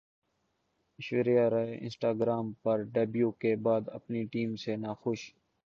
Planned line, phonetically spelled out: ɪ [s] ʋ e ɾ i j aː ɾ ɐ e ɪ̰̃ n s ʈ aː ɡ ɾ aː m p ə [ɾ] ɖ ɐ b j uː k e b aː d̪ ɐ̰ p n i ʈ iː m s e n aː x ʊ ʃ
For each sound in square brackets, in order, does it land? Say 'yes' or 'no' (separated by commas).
no, yes